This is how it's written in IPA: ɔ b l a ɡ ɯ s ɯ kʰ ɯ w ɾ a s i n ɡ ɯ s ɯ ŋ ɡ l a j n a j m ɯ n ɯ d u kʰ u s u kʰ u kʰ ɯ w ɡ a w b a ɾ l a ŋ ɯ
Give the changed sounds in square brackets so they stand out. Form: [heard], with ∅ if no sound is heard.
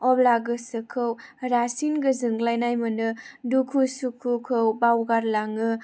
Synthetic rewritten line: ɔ b l a ɡ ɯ s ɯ kʰ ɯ w ɾ a s i n ɡ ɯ [z] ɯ ŋ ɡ l a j n a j m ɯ n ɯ d u kʰ u s u kʰ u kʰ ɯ w [b] a w [ɡ] a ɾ l a ŋ ɯ

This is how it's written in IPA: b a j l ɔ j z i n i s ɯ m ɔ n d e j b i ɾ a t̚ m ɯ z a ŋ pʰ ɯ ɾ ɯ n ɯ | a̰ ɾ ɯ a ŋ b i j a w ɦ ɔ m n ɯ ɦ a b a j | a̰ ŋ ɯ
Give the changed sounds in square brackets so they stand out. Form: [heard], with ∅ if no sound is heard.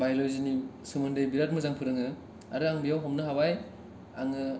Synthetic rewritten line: b a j l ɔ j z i n i s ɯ m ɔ n d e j b i ɾ a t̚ m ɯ z a ŋ pʰ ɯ ɾ ɯ [ŋ] ɯ | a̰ ɾ ɯ a ŋ b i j a w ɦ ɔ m n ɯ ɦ a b a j | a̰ ŋ ɯ

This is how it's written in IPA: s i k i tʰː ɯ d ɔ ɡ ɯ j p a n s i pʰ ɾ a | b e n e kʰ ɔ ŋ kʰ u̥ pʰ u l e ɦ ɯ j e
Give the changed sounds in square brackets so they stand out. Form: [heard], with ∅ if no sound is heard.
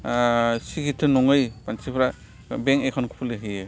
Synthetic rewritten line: s i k i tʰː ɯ [n] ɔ [ŋ] ɯ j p a n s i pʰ ɾ a | b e [ŋ] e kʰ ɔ [n] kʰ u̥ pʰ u l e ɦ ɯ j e

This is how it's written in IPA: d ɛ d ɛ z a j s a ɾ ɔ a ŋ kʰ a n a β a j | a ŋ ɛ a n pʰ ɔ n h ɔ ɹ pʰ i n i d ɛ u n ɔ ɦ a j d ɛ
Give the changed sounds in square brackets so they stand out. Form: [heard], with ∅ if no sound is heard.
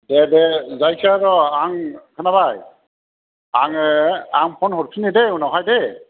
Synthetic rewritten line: d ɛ d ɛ z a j s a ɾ ɔ a ŋ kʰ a n a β a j | a ŋ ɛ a [ŋ] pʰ ɔ n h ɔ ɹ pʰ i n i d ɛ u n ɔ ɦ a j d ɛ

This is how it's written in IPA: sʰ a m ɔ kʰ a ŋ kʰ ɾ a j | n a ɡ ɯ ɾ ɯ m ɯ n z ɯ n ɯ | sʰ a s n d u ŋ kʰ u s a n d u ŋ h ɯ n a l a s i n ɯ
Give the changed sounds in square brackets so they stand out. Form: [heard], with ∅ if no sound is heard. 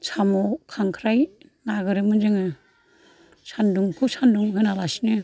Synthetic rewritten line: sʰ a m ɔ kʰ a ŋ kʰ ɾ a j | n a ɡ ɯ ɾ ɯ m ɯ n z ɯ [ŋ] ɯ | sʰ a [∅] n d u ŋ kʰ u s a n d u ŋ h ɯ n a l a s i n ɯ

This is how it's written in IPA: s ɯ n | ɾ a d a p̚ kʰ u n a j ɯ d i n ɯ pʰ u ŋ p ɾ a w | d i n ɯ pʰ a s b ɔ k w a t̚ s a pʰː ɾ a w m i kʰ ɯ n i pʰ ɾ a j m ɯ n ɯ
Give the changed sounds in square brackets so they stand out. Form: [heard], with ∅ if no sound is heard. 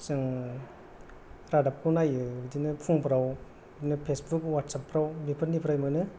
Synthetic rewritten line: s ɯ [ŋ] | ɾ a d a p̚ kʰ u n a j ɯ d i n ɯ pʰ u ŋ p ɾ a w | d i n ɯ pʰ [e] s b [u] k w a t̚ s a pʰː ɾ a w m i [pʰ] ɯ n i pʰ ɾ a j m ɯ n ɯ

